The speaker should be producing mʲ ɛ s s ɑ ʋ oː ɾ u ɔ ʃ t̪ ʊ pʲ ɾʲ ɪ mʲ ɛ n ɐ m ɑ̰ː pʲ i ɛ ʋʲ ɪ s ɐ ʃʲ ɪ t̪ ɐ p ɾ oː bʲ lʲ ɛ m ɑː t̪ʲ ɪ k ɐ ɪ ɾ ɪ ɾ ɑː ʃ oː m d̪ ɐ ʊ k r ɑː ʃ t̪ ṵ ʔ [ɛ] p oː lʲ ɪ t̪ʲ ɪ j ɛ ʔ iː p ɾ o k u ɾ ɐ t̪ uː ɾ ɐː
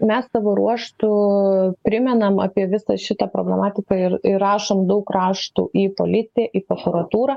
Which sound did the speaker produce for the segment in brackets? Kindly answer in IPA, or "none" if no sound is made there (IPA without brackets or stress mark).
i